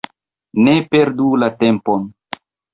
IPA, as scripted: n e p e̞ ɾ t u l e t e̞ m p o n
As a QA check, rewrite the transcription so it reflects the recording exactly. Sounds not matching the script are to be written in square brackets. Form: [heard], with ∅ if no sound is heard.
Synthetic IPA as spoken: n e p e̞ ɾ [d] u l [a] t e̞ m p o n